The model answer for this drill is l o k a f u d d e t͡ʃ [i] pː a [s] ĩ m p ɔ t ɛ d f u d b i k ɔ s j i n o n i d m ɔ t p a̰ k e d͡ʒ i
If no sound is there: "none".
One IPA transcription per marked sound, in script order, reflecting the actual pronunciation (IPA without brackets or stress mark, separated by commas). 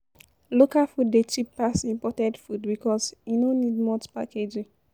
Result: i, s